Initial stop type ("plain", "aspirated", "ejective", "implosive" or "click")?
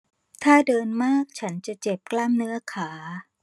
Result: aspirated